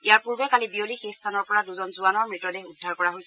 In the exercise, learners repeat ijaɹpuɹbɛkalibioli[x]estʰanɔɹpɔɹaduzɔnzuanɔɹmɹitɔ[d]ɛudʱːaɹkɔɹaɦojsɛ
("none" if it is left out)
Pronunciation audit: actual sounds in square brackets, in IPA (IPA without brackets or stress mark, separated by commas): x, d